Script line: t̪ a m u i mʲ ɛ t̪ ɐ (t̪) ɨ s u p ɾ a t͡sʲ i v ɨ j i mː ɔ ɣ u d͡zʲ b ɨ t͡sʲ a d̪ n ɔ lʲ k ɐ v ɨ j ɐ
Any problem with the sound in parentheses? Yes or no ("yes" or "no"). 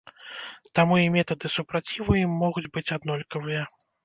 yes